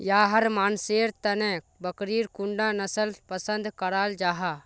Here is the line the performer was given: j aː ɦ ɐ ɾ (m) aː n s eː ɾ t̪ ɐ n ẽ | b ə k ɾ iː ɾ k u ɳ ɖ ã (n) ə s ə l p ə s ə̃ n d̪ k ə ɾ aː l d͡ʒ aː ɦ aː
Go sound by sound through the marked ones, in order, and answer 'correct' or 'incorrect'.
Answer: correct, correct

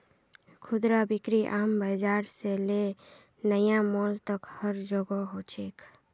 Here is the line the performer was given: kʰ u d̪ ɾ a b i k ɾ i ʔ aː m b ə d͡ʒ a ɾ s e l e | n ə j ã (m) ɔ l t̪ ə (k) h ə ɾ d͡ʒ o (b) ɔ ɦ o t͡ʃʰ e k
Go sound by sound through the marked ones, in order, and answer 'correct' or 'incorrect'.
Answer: correct, correct, incorrect: ɡ

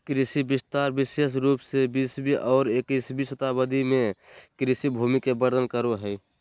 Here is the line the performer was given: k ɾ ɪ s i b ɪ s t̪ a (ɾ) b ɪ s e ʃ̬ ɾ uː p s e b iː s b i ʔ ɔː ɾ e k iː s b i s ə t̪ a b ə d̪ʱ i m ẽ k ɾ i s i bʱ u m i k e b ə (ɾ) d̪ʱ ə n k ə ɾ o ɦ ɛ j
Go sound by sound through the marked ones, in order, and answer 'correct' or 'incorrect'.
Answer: correct, correct

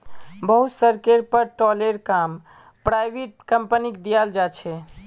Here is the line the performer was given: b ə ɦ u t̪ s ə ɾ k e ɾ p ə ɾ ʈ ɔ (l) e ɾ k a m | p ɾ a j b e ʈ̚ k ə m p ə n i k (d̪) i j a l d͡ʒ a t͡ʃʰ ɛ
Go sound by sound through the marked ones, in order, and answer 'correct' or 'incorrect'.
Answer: correct, correct

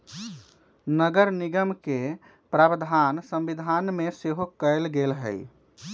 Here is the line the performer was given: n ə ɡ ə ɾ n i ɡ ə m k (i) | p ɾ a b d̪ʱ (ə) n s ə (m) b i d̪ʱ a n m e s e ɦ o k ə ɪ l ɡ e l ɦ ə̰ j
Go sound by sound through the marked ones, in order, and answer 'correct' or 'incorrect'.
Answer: incorrect: e, incorrect: a, correct

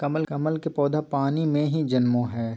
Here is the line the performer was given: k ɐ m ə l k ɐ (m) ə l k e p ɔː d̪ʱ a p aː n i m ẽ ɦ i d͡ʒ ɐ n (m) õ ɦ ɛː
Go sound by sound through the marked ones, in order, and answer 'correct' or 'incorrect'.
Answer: correct, correct

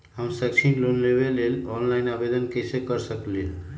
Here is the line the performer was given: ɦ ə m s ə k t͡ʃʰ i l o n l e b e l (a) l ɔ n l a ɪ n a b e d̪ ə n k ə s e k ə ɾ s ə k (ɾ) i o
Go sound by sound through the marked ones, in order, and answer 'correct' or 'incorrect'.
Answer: incorrect: e, incorrect: l

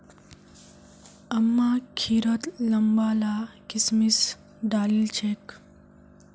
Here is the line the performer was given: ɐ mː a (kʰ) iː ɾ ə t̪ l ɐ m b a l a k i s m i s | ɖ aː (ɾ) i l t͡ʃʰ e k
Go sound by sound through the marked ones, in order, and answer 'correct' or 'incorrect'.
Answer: correct, incorrect: l

